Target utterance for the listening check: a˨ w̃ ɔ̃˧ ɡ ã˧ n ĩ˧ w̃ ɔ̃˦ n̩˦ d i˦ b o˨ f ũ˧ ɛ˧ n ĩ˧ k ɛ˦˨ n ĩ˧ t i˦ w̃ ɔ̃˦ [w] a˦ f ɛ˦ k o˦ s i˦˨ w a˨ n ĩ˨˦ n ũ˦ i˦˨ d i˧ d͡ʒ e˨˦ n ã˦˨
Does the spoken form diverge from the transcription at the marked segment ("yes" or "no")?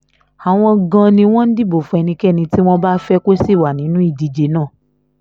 yes